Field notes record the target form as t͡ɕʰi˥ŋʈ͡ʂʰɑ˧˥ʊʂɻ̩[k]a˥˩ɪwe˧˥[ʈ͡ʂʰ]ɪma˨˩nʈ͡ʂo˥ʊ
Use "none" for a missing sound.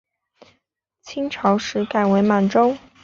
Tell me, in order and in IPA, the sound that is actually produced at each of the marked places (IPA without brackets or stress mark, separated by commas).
k, none